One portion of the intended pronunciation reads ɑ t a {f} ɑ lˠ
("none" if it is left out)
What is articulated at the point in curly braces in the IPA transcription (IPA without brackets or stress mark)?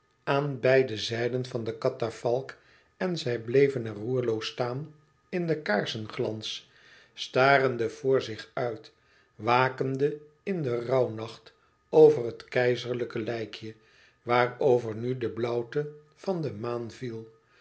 f